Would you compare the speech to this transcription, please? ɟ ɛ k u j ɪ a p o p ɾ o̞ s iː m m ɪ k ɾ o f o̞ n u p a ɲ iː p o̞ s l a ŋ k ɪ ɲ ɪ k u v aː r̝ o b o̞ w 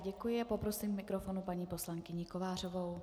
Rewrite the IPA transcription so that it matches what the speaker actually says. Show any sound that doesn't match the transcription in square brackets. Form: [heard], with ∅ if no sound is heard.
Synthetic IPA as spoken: ɟ ɛ k u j ɪ a p o p ɾ o̞ s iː m m ɪ k ɾ o f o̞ n u p a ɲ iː p o̞ s l a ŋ k ɪ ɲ ɪ k [o] v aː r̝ o [v] o̞ w